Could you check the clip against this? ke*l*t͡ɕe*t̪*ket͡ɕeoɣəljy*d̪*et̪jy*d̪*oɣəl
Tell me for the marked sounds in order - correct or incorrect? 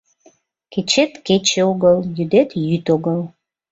incorrect, correct, correct, incorrect

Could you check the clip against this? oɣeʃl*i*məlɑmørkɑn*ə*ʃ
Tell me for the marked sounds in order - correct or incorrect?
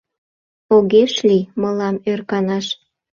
correct, incorrect

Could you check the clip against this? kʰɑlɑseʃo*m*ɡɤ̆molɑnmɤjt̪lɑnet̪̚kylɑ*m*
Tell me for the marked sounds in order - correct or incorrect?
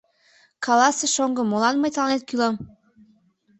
incorrect, correct

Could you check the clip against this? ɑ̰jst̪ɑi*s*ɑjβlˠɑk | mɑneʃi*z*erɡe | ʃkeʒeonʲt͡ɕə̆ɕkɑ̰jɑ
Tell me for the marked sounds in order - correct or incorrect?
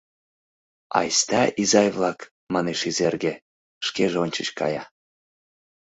incorrect, correct

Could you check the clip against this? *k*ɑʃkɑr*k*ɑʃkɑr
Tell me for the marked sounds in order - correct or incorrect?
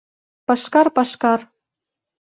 incorrect, incorrect

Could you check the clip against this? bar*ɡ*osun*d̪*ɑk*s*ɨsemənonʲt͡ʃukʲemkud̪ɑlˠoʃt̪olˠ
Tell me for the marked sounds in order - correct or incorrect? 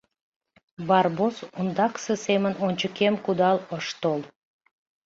incorrect, correct, correct

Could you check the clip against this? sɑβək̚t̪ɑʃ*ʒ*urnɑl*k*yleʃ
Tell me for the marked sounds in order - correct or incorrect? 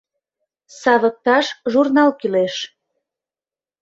correct, correct

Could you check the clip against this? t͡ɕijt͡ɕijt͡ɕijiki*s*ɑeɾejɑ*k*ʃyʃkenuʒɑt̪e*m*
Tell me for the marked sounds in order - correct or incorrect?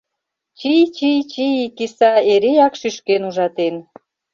correct, correct, incorrect

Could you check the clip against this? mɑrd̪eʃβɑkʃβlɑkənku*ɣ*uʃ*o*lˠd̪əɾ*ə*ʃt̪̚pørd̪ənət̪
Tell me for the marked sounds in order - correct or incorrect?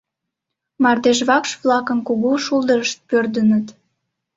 correct, incorrect, correct

